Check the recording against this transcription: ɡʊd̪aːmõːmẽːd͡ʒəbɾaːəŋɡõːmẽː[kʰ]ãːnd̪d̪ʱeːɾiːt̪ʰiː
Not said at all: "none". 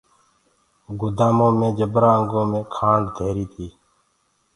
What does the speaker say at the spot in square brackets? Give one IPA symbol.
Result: kʰ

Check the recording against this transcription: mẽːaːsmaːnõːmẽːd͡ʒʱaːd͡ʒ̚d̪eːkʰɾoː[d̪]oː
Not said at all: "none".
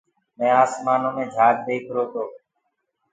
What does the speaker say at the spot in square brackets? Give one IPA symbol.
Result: t̪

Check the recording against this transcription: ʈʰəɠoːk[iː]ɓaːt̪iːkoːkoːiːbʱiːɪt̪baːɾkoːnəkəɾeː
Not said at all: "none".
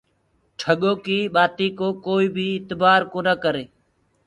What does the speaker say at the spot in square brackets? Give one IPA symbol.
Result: iː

